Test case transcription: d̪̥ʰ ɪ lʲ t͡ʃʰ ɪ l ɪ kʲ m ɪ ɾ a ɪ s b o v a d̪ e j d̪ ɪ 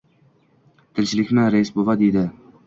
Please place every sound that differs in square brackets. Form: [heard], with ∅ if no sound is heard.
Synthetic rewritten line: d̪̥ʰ ɪ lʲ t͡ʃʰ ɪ l ɪ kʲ m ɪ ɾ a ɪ s b o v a d̪ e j d̪ ɪ